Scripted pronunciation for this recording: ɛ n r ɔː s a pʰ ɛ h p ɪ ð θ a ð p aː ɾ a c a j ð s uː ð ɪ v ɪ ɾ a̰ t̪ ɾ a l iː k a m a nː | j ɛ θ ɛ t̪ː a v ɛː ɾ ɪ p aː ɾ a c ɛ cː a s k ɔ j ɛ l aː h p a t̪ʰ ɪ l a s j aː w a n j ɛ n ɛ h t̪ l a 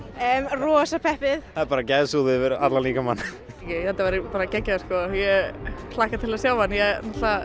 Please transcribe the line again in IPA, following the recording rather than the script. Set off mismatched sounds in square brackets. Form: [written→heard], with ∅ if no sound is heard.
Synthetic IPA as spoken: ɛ [n→m] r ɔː s a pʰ ɛ h p ɪ ð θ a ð p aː ɾ a c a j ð s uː ð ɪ v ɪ ɾ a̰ t̪ [ɾ→l] a l iː k a m a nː | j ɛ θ ɛ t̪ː a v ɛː ɾ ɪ p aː ɾ a c ɛ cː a s k ɔ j ɛ l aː h [p→k] a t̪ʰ ɪ l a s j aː w a n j ɛ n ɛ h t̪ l a